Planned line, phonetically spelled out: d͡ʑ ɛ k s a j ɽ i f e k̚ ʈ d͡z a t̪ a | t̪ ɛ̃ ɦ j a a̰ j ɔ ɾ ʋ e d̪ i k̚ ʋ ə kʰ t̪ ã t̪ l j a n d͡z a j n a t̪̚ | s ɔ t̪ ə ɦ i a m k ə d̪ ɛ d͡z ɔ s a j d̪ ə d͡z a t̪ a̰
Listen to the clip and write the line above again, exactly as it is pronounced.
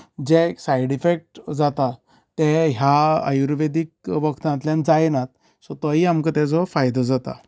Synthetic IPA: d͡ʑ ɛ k s a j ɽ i f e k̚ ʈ d͡z a t̪ a | t̪ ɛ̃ ɦ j a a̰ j u ɾ ʋ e d̪ i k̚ ʋ ə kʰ t̪ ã t̪ l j a n d͡z a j n a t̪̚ | s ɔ t̪ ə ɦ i a m k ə t̪ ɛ d͡z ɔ f a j d̪ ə d͡z a t̪ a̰